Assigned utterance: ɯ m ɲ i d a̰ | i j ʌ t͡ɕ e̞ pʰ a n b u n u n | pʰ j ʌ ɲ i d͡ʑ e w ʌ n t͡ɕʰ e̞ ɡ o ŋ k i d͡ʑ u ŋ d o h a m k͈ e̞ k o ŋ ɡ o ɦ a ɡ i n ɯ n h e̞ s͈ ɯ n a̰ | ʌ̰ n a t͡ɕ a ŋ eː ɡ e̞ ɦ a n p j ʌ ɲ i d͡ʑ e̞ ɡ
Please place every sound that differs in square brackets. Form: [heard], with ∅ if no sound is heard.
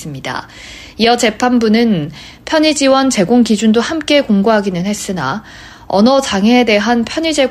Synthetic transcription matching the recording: ɯ m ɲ i d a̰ | i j ʌ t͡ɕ e̞ pʰ a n b u n [ɯ] n | pʰ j ʌ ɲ i d͡ʑ [i] w ʌ n [t͡ɕ] e̞ ɡ o ŋ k i d͡ʑ u [n] d o h a m k͈ e̞ k o ŋ ɡ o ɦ a ɡ i n ɯ n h e̞ s͈ ɯ n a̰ | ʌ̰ n [ʌ] t͡ɕ a ŋ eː [d] e̞ ɦ a n [pʰ] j ʌ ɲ i d͡ʑ e̞ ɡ